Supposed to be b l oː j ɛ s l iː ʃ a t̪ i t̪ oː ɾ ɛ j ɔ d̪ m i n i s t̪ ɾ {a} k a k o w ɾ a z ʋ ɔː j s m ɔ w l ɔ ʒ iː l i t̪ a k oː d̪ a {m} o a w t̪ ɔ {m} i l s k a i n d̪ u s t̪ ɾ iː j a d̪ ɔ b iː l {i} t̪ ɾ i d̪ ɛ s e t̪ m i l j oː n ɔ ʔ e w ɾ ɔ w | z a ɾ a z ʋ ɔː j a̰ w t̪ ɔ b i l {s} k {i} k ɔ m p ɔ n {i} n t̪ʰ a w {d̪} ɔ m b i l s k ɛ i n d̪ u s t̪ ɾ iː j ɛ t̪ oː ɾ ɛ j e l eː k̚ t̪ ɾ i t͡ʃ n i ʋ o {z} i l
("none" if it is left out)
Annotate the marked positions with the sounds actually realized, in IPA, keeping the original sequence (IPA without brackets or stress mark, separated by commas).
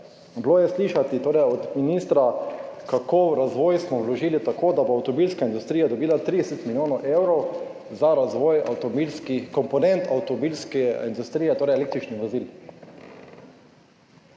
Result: a, b, b, a, s, i, ɛ, t̪, z